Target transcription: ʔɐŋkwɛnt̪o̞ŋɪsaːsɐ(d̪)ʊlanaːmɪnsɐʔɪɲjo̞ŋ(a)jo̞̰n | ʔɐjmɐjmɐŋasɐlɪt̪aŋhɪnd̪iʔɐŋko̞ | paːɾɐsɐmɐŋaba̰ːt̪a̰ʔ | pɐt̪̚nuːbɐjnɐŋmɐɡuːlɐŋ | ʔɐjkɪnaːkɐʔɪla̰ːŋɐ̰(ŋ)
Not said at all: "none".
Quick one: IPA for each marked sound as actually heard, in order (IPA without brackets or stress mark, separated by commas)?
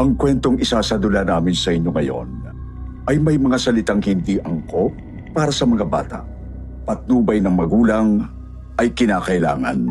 d̪, ɐ, n